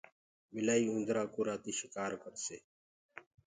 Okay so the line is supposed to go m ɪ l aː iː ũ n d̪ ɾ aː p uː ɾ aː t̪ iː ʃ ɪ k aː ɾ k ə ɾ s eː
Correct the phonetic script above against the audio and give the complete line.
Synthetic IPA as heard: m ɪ l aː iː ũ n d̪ ɾ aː k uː ɾ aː t̪ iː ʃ ɪ k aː ɾ k ə ɾ s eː